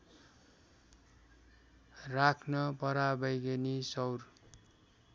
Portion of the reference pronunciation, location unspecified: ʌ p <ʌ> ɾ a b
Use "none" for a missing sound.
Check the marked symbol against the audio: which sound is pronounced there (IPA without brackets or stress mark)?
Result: ʌ